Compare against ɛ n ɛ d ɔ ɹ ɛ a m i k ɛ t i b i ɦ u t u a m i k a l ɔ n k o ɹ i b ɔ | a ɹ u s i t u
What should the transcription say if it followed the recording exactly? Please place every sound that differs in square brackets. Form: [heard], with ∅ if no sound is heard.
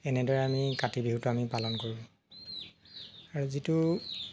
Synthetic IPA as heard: ɛ n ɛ d ɔ ɹ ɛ a m i k [a] t i b i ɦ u t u a m i [p] a l ɔ n k o ɹ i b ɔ | a ɹ u [z] i t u